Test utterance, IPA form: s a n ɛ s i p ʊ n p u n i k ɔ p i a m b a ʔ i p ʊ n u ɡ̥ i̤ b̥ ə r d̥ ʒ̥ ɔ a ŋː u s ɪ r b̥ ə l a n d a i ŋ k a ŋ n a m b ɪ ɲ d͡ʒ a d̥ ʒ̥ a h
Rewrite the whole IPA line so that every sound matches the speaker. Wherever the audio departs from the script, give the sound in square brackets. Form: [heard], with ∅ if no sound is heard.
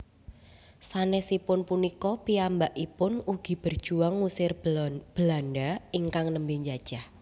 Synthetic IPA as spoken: s a n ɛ s i p ʊ n p u n i k ɔ p i a m b a ʔ i p ʊ n u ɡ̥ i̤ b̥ ə r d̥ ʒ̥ [u] a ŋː u s ɪ r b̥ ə l a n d a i ŋ k a ŋ n [ə] m b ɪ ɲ d͡ʒ a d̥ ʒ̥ a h